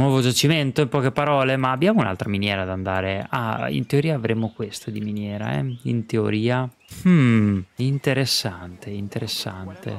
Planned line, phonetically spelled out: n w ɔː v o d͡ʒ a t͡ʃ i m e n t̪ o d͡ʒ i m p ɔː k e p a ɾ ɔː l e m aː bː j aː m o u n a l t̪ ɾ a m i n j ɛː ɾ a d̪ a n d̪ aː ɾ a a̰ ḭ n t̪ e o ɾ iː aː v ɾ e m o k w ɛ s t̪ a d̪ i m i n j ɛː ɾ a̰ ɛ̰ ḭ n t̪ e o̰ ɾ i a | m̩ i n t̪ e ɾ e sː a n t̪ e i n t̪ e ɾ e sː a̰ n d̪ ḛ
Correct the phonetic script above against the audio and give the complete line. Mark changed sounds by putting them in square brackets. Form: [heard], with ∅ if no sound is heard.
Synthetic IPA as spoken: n w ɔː v o d͡ʒ a t͡ʃ i m e n t̪ o [∅] i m p ɔː k e p a ɾ ɔː l e m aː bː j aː m o u n a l t̪ ɾ a m i n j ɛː ɾ a d̪ a n d̪ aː ɾ [e] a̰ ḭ n t̪ e o ɾ iː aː v ɾ e m o k w [e] s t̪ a d̪ i m i n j ɛː ɾ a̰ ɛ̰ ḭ n t̪ e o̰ ɾ [iː] a | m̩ i n t̪ e ɾ e sː a n t̪ e i n t̪ e ɾ e sː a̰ n [t̪] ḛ